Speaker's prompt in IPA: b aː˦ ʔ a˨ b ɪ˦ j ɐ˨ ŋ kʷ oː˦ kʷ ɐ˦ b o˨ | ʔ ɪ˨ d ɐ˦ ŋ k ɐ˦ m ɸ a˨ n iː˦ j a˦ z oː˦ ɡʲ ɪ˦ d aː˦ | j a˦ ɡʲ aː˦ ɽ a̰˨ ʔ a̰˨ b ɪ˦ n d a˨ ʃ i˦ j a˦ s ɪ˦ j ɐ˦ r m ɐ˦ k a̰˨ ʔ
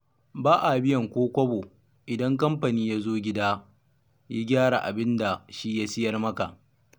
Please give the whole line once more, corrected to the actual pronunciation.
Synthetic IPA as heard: b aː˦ ʔ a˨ b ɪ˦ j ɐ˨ ŋ kʷ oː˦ kʷ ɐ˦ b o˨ | ʔ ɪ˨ d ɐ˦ ŋ k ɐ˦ m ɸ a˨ n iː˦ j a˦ z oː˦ ɡʲ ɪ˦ d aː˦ | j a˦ ɡʲ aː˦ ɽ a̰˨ ʔ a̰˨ b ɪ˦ n d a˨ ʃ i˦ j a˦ s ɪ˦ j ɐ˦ r m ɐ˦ k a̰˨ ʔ